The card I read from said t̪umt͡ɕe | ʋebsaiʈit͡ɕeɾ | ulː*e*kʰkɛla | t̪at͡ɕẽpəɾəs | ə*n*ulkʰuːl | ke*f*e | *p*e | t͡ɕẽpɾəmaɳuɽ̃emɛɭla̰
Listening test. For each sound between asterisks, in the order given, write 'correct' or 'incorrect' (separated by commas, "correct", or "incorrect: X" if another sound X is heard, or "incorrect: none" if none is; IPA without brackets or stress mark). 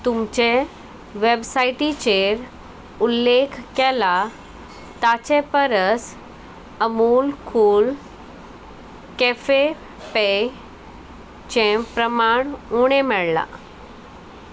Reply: correct, incorrect: m, correct, correct